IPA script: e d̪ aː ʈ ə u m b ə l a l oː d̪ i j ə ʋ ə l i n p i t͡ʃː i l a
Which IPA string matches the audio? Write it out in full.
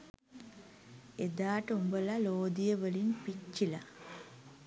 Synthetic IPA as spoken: e d̪ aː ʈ ə u m b ə l a l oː d̪ i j ə ʋ ə l i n p i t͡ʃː i l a

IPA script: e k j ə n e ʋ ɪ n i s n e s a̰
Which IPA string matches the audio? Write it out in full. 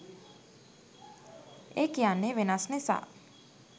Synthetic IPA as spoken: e k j a n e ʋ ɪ n a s n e s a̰

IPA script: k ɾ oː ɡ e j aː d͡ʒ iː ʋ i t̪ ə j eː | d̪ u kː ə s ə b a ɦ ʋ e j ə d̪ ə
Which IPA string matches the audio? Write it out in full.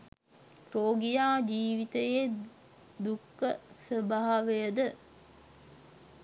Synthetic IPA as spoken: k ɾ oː ɡ i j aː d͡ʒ iː ʋ i t̪ ə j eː | d̪ u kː ə s ə b a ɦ ʋ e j ə d̪ ə

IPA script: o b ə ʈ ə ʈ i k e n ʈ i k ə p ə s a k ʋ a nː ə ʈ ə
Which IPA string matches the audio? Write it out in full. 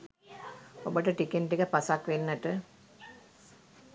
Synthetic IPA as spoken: o b ə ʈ ə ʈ i k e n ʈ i k ə p a s a k ʋ e nː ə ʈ ə

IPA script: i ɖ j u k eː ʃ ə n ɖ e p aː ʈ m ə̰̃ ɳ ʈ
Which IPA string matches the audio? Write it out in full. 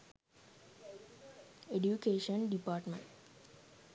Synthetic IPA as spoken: e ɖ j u k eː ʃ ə n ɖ i p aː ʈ m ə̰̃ ɳ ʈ

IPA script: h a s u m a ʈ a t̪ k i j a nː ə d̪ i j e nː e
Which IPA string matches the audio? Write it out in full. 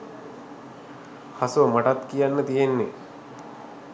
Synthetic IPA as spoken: h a s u m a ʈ a t̪ k i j a nː ə t̪ i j e nː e

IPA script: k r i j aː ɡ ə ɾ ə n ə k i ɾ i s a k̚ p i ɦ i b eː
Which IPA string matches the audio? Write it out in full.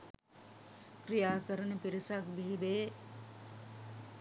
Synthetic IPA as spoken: k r i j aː k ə ɾ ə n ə p i ɾ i s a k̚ b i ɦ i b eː

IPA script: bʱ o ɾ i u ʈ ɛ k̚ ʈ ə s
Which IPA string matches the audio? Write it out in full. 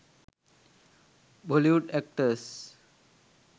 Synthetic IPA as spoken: bʱ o l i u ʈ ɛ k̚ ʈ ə s

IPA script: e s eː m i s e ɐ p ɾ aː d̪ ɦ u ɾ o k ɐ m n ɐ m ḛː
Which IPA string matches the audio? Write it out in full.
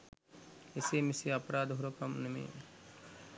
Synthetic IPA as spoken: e s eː m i s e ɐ p ɾ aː d̪ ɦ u ɾ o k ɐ m n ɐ m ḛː

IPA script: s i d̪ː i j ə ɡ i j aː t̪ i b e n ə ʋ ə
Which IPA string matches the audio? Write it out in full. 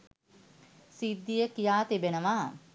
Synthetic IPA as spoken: s i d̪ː i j ə k i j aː t̪ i b e n ə ʋ a

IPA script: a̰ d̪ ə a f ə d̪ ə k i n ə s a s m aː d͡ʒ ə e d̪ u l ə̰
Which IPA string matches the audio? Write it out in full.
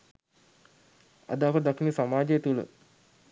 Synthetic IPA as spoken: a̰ d̪ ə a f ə d̪ a k i n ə s a m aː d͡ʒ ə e t̪ u l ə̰

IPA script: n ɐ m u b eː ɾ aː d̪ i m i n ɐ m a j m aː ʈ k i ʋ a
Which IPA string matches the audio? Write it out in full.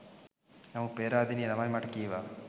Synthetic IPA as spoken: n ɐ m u p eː ɾ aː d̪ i n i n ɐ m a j m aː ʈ k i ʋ a

